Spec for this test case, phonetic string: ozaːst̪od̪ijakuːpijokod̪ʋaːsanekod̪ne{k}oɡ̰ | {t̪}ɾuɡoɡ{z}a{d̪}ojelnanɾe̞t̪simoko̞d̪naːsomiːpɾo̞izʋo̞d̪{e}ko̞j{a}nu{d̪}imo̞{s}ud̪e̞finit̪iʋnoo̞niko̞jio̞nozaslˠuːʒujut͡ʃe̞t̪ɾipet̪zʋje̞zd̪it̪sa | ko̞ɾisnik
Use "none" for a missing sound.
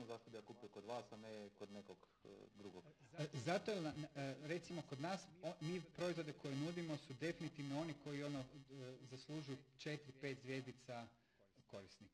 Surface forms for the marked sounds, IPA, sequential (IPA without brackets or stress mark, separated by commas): k, d̪, z, t̪, e, e, d̪, s